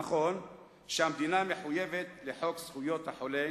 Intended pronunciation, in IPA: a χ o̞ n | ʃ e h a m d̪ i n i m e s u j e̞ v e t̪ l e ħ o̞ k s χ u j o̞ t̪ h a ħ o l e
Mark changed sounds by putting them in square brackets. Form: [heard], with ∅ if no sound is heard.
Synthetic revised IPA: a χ o̞ n | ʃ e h a m d̪ i n [a] m e [ħ] u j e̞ v e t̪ l e ħ o̞ k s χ u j o̞ t̪ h a ħ o l e